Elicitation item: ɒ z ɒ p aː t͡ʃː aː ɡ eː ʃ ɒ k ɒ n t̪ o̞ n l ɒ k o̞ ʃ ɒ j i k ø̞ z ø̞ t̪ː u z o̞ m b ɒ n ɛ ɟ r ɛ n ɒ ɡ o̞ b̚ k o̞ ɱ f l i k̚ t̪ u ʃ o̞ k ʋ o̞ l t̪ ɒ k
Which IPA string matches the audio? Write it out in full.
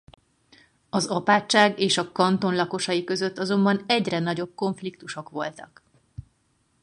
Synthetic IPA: ɒ z ɒ p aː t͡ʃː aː ɡ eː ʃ ɒ k ɒ n t̪ o̞ n l ɒ k o̞ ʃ ɒ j i k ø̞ z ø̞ t̪ː ɒ z o̞ m b ɒ n ɛ ɟ r ɛ n ɒ ɟ o̞ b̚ k o̞ ɱ f l i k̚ t̪ u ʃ o̞ k ʋ o̞ l t̪ ɒ k